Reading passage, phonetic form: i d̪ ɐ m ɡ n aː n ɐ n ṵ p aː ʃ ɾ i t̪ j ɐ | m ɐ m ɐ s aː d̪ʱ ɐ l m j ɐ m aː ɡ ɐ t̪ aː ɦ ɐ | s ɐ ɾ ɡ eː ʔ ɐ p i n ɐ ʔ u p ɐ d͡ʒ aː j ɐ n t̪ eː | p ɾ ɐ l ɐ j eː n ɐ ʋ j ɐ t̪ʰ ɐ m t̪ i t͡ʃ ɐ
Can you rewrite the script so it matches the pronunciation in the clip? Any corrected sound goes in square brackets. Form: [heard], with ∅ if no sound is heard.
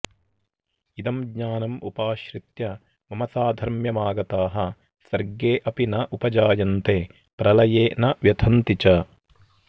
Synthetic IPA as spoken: i d̪ ɐ m ɡ [ɲ] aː n ɐ [m] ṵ p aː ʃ ɾ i t̪ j ɐ | m ɐ m ɐ s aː d̪ʱ ɐ [ɾ] m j ɐ m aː ɡ ɐ t̪ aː ɦ ɐ | s ɐ ɾ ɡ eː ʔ ɐ p i n ɐ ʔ u p ɐ d͡ʒ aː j ɐ n t̪ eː | p ɾ ɐ l ɐ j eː n ɐ ʋ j ɐ t̪ʰ ɐ [n] t̪ i t͡ʃ ɐ

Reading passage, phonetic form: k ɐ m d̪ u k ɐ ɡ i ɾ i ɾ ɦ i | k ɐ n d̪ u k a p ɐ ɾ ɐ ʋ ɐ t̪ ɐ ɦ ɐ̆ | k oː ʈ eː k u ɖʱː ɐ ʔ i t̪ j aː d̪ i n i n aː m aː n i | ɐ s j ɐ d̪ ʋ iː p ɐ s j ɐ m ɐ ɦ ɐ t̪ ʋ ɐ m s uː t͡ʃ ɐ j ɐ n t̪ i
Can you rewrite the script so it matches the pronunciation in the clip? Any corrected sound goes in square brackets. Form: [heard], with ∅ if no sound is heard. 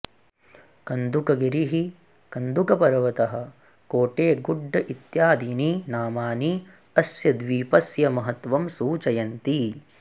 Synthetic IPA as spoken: k ɐ [n] d̪ u k ɐ ɡ i ɾ i [∅] ɦ i | k ɐ n d̪ u k [ɐ] p ɐ ɾ ɐ ʋ ɐ t̪ ɐ ɦ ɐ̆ | k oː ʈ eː [ɡ] u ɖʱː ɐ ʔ i t̪ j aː d̪ i n i n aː m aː n i | ɐ s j ɐ d̪ ʋ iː p ɐ s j ɐ m ɐ ɦ ɐ t̪ ʋ ɐ m s uː t͡ʃ ɐ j ɐ n t̪ i

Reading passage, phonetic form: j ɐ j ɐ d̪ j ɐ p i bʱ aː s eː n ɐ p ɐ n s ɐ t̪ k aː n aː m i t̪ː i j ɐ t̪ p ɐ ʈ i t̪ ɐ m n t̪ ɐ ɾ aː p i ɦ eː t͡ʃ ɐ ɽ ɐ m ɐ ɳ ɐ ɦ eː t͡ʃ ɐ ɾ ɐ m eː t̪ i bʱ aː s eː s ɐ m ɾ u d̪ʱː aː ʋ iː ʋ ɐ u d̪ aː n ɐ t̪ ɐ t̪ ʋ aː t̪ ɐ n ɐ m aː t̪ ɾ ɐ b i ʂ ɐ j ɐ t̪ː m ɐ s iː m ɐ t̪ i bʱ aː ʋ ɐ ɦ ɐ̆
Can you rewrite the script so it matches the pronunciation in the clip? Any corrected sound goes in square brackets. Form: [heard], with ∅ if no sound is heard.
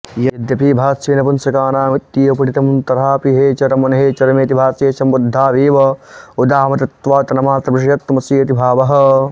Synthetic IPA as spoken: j ɐ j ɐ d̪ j ɐ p i bʱ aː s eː n ɐ p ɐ n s ɐ [∅] k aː n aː m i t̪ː i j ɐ [∅] p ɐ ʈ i t̪ ɐ m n t̪ ɐ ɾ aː p i ɦ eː t͡ʃ ɐ [ɾ] ɐ m ɐ [n] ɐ ɦ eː t͡ʃ ɐ ɾ ɐ m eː t̪ i bʱ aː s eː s ɐ m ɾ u d̪ʱː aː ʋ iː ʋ ɐ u d̪ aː [m] ɐ t̪ ɐ t̪ ʋ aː t̪ ɐ n ɐ m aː t̪ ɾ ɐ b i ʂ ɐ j ɐ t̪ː m ɐ s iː [∅] ɐ t̪ i bʱ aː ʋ ɐ ɦ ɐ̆

